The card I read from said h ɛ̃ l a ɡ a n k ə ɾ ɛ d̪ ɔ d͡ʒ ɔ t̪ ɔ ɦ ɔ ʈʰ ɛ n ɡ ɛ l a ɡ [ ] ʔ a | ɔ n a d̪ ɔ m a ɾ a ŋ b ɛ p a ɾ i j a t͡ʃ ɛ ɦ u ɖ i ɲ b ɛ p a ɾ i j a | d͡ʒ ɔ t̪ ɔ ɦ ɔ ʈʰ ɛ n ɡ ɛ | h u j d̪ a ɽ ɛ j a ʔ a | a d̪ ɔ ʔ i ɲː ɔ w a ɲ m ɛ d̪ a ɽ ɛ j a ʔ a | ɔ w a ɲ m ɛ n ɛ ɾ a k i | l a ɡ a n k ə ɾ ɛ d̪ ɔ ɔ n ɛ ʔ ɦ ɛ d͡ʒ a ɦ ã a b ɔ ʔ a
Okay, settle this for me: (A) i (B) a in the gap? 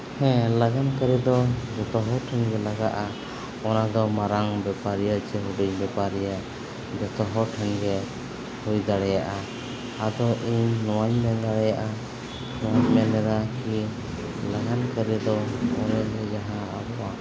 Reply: B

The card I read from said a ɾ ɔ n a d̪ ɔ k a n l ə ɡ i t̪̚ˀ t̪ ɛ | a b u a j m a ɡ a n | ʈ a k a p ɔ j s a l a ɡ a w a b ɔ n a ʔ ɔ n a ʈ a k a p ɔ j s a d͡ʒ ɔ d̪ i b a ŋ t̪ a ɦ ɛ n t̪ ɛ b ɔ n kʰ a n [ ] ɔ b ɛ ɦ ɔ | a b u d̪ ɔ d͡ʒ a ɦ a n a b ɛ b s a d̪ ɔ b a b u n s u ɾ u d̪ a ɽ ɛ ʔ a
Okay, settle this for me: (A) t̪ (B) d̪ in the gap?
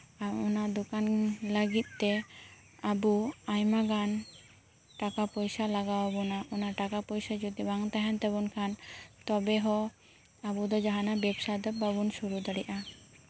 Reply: A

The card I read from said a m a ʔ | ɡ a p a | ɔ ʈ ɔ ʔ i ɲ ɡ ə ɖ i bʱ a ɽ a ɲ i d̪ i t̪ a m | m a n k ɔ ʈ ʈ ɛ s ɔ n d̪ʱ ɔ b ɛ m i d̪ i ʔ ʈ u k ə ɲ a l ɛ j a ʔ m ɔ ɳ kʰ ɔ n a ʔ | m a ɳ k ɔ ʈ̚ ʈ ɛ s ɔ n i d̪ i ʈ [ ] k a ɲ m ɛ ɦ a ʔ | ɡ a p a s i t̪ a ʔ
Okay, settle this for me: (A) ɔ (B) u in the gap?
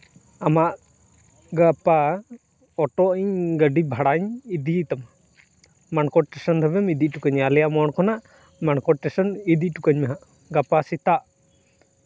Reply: B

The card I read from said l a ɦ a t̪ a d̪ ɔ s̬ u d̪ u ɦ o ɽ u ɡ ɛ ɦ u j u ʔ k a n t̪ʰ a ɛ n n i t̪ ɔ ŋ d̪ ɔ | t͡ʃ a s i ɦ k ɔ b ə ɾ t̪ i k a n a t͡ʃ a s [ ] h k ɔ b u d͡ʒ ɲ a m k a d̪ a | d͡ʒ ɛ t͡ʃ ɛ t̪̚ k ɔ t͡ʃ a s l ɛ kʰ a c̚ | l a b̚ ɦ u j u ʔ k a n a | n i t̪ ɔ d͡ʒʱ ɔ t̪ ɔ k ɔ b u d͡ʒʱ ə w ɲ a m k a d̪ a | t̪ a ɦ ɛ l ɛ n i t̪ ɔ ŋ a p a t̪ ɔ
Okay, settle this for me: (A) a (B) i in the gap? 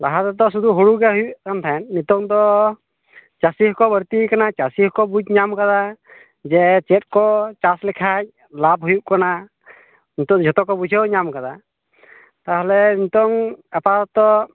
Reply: B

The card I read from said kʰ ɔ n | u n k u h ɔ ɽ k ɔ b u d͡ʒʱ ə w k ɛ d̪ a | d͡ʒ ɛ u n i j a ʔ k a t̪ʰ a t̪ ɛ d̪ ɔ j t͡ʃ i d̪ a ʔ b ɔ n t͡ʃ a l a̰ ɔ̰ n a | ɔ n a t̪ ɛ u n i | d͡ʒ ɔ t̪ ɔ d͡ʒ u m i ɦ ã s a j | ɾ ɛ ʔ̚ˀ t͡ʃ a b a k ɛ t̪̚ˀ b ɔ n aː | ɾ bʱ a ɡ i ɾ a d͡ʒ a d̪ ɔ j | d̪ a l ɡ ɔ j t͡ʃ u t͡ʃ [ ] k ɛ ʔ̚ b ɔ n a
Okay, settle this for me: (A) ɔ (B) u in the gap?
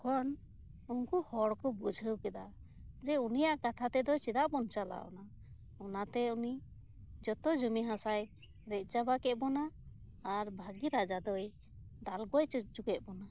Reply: B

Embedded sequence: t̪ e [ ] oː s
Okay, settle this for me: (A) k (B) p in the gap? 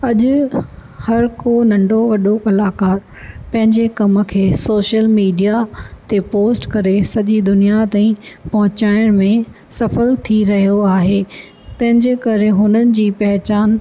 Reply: B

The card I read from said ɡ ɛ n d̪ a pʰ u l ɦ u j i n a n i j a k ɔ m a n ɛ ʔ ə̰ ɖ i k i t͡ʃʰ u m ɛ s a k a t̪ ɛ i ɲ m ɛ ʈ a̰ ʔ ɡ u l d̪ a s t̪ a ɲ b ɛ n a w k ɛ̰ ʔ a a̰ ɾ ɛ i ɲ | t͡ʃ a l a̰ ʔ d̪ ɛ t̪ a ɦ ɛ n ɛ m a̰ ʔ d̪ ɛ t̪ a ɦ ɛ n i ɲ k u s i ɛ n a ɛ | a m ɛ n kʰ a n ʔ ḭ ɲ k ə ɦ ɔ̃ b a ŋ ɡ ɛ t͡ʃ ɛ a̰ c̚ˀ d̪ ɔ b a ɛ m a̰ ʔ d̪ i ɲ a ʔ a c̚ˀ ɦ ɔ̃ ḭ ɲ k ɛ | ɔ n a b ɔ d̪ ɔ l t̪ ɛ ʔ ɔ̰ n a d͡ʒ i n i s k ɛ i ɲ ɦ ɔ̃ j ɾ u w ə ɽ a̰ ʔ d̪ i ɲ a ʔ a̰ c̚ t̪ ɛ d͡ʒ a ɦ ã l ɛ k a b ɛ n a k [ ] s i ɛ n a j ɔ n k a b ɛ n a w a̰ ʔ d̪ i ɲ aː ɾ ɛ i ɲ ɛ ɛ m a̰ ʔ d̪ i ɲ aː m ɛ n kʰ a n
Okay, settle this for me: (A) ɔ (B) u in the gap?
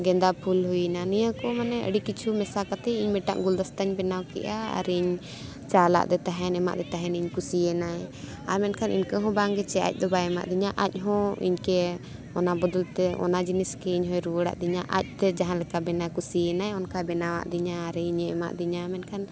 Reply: B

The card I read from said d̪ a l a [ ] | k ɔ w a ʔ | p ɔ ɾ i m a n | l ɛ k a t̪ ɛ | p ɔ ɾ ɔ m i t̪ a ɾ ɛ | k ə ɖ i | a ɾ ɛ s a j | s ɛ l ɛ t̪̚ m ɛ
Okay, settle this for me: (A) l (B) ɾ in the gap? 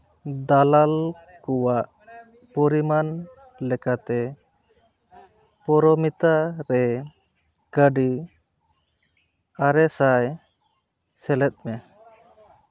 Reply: A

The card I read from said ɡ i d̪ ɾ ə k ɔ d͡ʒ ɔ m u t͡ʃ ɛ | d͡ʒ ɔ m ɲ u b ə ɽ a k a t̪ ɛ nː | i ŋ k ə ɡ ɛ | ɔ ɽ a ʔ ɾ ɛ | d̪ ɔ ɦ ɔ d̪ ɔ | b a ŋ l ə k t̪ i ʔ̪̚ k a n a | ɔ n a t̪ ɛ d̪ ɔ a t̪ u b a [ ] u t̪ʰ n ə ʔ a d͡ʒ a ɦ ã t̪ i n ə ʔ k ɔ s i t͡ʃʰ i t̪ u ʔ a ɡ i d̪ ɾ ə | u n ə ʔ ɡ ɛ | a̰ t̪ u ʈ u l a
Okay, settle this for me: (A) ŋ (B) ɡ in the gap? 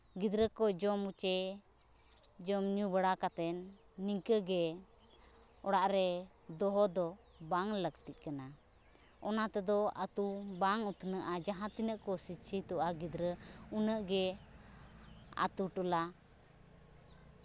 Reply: A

